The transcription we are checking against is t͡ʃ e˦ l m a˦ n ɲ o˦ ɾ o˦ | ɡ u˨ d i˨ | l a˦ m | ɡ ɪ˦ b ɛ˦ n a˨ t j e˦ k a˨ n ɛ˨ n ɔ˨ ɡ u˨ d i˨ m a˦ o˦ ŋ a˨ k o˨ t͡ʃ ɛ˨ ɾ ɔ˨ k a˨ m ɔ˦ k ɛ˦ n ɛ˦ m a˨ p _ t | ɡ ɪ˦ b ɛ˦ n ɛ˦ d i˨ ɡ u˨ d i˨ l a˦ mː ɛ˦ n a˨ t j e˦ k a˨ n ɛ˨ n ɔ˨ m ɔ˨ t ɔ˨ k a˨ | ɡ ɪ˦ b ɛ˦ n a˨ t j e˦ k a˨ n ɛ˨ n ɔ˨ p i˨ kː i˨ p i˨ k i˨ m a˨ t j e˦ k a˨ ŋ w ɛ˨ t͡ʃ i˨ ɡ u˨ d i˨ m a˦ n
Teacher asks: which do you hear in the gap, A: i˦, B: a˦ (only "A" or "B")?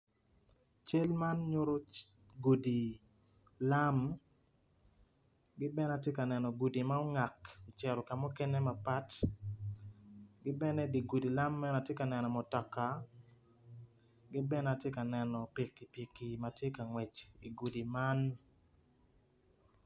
B